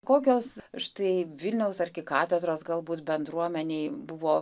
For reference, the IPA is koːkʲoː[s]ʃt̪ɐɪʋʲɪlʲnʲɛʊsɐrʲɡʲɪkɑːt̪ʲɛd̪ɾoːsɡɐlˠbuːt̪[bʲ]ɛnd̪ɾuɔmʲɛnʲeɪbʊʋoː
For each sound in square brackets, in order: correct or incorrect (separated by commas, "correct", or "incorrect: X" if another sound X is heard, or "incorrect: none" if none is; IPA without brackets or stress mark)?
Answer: correct, correct